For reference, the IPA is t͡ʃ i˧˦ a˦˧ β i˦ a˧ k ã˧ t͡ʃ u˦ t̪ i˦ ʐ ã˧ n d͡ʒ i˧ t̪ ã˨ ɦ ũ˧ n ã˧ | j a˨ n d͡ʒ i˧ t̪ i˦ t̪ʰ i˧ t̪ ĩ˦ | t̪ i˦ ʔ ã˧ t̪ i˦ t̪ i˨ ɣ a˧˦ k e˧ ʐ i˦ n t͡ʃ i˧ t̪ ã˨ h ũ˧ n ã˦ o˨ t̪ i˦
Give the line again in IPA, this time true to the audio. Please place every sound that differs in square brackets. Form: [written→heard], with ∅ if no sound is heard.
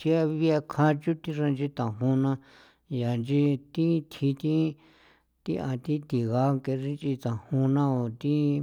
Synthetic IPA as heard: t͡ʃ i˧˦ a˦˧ β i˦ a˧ [k→kʰ] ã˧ t͡ʃ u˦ t̪ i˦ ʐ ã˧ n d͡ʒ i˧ t̪ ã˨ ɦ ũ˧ n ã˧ | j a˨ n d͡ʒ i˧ t̪ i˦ t̪ʰ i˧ t̪ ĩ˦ | t̪ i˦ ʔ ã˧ t̪ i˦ t̪ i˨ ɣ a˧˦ k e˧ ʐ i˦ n t͡ʃ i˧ t̪ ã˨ h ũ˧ n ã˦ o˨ t̪ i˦